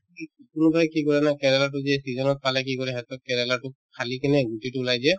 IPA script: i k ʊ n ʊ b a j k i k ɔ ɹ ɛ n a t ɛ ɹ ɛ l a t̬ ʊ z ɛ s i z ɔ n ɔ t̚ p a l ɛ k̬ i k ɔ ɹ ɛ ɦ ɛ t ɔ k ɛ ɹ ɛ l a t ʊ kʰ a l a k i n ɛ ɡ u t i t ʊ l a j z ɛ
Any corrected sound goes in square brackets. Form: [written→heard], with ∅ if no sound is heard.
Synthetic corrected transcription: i k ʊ n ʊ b a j k i k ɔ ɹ ɛ n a [t→k] ɛ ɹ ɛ l a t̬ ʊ z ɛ s i z ɔ n ɔ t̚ p a l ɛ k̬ i k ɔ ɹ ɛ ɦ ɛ t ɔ k ɛ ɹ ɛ l a t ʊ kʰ a l [a→i] k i n ɛ ɡ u t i t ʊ l a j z ɛ